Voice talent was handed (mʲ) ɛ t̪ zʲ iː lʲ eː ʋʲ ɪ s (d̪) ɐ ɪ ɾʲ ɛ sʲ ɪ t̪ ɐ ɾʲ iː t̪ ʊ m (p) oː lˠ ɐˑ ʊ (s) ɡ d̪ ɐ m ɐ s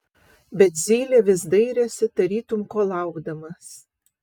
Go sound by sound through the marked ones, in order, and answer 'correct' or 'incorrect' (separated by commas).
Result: incorrect, correct, incorrect, incorrect